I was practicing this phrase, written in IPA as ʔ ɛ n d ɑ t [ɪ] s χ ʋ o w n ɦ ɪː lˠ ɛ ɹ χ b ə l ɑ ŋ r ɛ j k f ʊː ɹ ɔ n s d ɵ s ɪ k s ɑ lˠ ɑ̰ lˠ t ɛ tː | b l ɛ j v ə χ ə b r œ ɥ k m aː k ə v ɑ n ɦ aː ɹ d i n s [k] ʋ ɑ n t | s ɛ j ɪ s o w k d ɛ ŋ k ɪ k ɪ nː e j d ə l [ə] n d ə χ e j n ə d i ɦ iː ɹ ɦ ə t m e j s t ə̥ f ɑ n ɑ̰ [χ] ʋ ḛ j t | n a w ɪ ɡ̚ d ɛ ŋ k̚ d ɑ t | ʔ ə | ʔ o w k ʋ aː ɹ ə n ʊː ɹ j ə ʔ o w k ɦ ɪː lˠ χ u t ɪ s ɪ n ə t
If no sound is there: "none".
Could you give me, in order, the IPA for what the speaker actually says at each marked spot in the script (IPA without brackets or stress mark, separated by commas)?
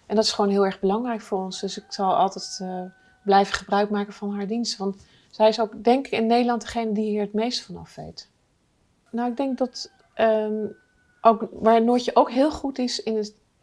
ɪ, t, ɑ, f